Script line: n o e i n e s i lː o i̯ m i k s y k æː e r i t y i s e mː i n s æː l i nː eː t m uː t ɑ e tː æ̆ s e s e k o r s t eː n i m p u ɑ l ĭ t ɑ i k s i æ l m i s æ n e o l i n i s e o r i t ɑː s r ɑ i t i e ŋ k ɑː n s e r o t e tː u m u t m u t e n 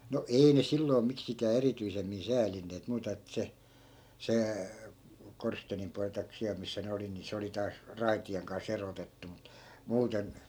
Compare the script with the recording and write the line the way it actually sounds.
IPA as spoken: n o e i n e s i lː o i̯ m i k s i k æː e r i t y i s e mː i n s æː l i nː eː t m uː t ɑ e tː æ̆ s e s e k o r s t eː n i m p u ɑ l ĭ t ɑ i k s i æ l m i sː æ n e o l i n i s e o l i t ɑː s r ɑ i t i e ŋ k ɑ n s e r o t e tː u m u t m uː t e n